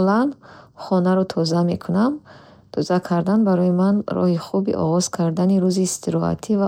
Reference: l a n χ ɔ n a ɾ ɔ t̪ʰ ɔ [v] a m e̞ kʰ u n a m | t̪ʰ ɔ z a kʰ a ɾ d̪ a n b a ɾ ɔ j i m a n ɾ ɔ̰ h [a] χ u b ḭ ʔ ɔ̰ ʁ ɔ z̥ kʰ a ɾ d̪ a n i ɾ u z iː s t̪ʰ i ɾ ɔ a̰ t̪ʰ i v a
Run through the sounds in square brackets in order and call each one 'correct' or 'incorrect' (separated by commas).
incorrect, incorrect